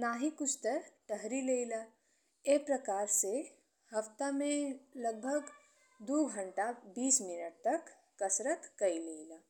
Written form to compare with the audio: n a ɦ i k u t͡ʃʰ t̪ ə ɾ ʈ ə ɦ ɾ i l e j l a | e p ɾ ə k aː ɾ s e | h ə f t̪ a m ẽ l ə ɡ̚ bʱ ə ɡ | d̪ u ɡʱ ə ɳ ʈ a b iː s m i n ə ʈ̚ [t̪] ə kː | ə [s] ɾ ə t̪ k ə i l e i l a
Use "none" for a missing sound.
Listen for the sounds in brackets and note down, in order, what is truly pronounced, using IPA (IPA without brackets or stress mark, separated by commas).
t̪, s